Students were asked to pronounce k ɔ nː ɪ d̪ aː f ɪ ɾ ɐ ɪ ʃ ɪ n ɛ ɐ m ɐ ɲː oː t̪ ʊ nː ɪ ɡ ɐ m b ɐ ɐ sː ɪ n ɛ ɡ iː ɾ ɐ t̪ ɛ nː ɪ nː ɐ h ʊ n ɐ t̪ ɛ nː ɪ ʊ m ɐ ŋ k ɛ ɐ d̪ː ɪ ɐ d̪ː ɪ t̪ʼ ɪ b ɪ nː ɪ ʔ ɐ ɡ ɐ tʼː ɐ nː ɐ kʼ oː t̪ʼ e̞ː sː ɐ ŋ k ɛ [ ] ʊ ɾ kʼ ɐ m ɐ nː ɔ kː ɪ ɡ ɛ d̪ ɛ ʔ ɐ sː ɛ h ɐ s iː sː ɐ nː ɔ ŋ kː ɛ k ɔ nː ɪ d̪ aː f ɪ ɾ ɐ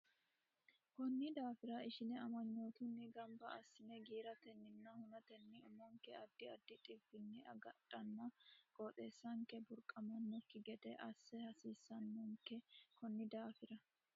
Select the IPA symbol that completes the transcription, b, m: b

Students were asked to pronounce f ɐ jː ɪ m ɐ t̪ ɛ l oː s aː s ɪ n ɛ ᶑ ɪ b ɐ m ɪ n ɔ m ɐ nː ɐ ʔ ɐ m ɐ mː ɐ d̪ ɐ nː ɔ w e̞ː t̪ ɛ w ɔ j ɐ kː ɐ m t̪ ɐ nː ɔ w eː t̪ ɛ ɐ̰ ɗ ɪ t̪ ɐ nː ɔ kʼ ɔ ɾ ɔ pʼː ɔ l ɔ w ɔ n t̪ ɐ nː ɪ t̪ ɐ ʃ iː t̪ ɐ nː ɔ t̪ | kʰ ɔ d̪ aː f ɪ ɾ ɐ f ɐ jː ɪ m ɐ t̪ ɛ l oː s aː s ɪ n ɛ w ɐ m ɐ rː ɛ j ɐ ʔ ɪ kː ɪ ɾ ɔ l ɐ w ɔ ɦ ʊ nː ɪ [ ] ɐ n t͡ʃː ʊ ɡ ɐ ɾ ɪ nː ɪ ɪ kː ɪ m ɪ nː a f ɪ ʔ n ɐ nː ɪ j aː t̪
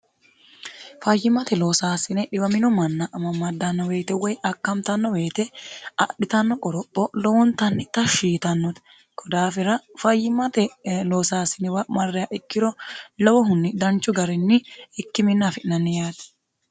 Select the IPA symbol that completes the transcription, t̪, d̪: d̪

